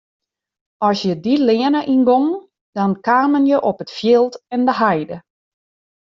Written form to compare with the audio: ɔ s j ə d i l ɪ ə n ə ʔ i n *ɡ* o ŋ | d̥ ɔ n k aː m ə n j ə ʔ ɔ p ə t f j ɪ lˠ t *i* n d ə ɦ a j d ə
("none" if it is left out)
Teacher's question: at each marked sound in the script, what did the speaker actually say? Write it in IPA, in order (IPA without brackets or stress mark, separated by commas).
ɡ, ɛ